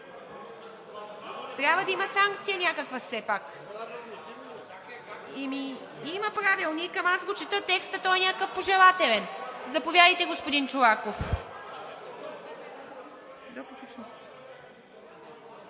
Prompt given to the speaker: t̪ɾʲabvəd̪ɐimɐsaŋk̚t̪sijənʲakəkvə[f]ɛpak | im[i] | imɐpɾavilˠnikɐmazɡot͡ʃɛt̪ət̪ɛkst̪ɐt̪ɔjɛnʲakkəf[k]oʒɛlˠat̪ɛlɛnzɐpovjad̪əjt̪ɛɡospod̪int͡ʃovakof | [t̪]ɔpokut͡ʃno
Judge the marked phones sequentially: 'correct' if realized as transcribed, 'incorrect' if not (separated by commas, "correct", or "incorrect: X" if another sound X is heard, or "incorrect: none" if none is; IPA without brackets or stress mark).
incorrect: s, correct, incorrect: p, incorrect: d̪